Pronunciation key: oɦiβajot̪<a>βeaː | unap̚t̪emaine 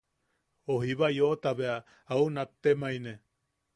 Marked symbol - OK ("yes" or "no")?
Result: yes